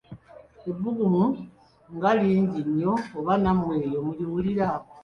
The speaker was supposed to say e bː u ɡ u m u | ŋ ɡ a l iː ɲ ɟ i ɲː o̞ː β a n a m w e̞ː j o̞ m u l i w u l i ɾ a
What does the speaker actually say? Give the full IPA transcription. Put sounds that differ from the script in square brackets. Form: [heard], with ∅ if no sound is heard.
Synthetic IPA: e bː u ɡ u m u | ŋ ɡ a l iː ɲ ɟ i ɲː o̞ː β a n a m w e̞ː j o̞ m u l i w u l i ɾ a

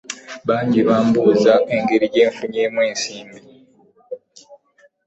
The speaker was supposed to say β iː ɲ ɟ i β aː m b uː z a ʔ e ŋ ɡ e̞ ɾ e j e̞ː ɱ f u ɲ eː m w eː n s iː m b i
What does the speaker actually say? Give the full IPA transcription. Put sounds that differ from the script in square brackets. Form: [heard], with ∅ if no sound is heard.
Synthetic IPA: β [aː] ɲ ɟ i β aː m b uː z a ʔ e ŋ ɡ e̞ ɾ [i] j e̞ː ɱ f u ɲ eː m w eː n s iː m b i

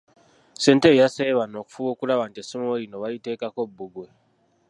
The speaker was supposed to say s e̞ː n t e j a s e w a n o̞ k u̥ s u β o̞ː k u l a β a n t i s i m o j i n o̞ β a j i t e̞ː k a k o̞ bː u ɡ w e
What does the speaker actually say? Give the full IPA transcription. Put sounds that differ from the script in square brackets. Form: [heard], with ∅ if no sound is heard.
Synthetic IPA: s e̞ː n t e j a s e [β] a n o̞ k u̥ [f] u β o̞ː k u l a β a n t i s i m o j i n o̞ β a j i t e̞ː k a k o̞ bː u ɡ w e

